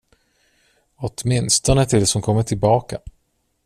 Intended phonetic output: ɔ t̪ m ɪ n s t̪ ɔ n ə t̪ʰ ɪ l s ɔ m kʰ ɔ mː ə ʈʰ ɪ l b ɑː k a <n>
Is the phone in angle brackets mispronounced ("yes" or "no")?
yes